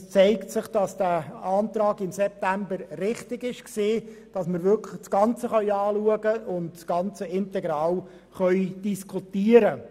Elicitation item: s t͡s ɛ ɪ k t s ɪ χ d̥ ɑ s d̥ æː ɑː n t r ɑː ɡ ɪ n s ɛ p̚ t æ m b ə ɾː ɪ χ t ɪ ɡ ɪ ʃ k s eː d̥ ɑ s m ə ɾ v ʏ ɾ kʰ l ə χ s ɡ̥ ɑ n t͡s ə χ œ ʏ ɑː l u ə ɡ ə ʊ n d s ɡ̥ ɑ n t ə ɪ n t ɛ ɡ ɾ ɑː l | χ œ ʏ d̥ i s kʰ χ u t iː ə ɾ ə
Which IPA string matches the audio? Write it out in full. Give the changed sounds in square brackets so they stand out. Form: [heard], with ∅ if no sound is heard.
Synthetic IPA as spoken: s t͡s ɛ ɪ k t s ɪ χ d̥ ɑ s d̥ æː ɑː n t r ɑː ɡ ɪ [m] s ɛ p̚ t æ m b ə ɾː ɪ χ t ɪ ɡ ɪ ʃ k s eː d̥ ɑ s m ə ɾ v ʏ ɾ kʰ l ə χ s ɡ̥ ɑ n t͡s ə χ œ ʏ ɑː l u ə ɡ ə ʊ n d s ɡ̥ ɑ n [t͡s] ə ɪ n t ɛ ɡ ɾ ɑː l | χ œ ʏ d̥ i s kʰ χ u t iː ə ɾ ə